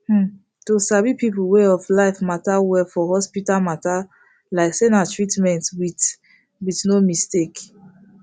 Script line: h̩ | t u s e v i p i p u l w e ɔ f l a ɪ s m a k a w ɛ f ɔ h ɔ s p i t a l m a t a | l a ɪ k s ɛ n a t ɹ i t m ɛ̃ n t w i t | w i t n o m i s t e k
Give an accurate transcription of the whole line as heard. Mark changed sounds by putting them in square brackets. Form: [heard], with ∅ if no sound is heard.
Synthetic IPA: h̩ | t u s [a] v i p i p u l w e ɔ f l a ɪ [f] m a [t] a w ɛ f ɔ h ɔ s p i t a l m a t a | l a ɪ k s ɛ n a t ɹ i t m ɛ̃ n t w i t | w i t n o m i s t e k